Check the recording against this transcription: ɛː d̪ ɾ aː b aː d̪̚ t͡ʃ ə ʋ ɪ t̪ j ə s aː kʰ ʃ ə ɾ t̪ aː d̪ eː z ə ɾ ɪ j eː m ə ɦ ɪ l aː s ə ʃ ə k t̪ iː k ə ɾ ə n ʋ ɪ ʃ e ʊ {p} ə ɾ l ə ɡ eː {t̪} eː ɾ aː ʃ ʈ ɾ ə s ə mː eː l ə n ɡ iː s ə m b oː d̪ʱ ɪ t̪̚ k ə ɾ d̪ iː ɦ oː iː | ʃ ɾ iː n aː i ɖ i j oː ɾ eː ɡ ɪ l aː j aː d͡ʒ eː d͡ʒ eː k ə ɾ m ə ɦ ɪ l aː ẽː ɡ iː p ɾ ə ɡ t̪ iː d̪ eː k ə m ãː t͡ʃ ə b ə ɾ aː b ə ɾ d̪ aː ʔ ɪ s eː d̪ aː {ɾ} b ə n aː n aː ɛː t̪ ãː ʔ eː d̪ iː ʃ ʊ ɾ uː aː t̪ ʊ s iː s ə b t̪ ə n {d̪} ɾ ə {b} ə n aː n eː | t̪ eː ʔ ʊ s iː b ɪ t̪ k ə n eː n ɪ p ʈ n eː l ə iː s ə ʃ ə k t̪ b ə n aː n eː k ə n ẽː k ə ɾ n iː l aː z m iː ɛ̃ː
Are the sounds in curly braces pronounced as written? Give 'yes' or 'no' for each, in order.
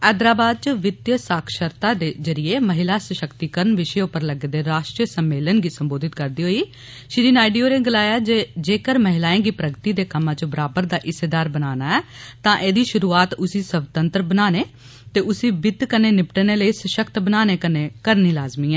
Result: yes, no, yes, no, yes

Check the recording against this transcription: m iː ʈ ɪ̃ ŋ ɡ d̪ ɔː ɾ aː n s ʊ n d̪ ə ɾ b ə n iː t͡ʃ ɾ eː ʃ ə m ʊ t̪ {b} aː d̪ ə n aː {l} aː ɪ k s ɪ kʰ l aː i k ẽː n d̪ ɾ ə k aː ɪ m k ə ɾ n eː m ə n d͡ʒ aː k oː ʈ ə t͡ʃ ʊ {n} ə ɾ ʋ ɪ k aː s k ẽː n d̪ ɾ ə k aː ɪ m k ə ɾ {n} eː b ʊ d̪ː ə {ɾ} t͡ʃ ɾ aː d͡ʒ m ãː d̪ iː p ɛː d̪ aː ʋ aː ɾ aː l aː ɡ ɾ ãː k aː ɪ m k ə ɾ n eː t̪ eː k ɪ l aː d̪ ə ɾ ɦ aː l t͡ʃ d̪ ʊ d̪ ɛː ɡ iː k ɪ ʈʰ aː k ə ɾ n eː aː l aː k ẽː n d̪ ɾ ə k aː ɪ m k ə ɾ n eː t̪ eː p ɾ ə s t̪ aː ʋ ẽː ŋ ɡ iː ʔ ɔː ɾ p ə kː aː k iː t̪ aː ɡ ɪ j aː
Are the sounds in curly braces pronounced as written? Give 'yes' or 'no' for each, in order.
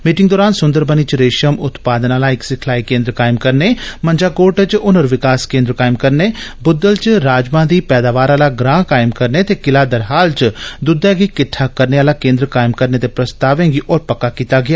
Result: no, yes, yes, yes, no

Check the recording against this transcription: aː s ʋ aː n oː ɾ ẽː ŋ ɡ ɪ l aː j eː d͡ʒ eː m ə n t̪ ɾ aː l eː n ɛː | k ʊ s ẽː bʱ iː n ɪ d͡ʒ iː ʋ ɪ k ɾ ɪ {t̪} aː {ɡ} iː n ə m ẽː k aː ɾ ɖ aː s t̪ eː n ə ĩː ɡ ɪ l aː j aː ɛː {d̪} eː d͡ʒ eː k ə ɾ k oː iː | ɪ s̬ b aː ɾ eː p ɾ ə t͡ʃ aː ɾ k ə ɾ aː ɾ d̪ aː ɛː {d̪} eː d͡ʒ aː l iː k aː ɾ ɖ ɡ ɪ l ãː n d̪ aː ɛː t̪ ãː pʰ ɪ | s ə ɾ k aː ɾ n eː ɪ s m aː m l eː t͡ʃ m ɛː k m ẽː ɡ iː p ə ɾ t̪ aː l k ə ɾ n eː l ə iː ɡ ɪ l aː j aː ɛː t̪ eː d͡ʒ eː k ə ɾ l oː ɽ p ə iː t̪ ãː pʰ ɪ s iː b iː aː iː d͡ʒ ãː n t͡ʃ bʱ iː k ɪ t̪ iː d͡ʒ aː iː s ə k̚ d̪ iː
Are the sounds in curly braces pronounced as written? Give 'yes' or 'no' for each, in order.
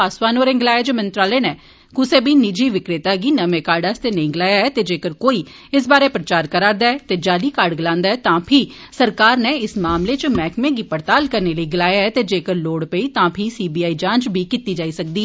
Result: yes, yes, no, no

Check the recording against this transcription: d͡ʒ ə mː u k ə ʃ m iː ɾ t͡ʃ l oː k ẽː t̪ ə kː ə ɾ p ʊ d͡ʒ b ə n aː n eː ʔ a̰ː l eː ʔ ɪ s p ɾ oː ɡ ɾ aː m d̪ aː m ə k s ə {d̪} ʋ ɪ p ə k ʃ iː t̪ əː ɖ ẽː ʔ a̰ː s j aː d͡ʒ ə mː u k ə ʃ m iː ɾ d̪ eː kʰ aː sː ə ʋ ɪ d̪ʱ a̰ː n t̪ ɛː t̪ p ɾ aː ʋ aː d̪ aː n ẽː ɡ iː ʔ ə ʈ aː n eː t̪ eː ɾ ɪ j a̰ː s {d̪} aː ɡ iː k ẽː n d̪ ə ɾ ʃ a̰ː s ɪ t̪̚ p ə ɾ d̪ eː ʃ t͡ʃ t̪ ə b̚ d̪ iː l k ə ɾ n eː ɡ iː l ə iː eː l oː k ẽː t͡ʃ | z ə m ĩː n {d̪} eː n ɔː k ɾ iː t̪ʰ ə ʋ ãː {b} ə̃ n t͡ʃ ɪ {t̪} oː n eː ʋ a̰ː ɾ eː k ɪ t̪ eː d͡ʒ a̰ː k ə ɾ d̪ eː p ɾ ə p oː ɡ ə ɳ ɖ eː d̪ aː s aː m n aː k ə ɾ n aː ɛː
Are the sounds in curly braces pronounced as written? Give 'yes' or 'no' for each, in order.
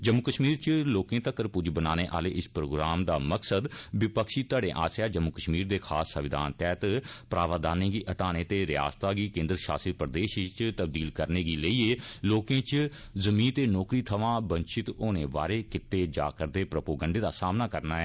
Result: yes, no, no, yes, yes

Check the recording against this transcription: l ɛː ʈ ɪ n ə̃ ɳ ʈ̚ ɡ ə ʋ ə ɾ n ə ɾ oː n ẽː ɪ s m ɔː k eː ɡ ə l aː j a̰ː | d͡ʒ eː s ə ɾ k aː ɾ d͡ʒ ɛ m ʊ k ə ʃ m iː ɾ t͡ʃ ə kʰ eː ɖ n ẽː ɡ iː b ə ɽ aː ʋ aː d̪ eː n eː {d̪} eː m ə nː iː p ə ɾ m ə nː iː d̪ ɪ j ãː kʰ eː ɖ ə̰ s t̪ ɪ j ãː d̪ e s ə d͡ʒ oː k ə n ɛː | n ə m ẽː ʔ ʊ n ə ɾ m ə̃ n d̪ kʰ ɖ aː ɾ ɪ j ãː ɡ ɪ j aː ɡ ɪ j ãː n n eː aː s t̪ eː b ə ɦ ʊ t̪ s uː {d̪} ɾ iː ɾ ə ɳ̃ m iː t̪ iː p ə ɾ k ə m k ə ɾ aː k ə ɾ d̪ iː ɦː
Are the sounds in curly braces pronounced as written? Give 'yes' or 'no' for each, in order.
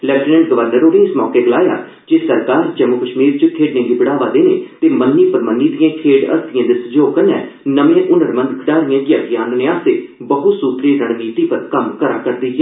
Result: no, no

